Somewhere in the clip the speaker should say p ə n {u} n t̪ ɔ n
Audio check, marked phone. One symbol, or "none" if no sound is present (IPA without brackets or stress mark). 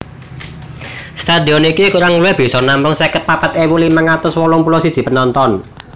ɔ